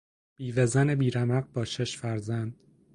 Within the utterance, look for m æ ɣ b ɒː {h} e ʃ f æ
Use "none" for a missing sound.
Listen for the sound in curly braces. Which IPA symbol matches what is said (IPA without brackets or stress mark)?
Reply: ʃ